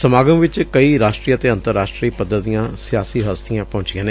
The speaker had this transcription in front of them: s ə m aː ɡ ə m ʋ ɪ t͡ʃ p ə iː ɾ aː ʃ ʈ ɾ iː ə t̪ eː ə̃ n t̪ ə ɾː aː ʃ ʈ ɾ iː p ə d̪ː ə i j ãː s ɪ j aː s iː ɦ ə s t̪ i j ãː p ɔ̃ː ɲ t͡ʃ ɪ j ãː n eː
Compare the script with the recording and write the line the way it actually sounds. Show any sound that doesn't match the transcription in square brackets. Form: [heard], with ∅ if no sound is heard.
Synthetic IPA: s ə m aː ɡ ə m ʋ ɪ t͡ʃ [k] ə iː ɾ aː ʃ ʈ ɾ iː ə t̪ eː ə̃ n t̪ ə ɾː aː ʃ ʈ ɾ iː p ə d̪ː ə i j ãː s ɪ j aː s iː ɦ ə s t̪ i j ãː p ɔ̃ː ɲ t͡ʃ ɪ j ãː n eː